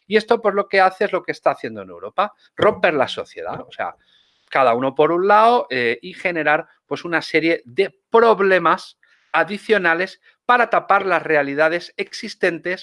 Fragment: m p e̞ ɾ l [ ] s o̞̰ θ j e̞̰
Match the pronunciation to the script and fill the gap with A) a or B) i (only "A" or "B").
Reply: A